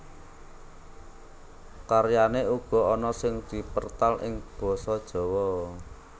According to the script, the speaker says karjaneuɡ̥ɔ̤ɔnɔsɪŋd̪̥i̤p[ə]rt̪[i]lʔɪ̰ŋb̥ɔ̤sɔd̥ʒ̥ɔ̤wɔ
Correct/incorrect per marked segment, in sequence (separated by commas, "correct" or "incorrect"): correct, incorrect